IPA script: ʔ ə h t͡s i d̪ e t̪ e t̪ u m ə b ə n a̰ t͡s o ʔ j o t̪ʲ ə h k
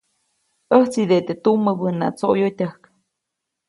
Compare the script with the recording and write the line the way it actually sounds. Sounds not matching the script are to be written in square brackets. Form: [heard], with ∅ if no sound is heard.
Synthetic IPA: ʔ ə h t͡s i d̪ e t̪ e t̪ u m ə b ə n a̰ t͡s o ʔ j o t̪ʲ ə h k